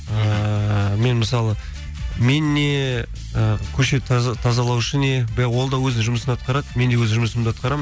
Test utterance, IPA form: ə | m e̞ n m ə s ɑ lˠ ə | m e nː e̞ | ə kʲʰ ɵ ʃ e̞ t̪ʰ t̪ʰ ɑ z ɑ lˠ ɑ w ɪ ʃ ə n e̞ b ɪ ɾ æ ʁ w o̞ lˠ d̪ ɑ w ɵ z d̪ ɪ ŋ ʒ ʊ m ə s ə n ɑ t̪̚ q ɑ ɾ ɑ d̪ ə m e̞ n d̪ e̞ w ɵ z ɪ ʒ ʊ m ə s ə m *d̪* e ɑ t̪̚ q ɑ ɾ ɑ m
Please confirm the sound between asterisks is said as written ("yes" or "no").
yes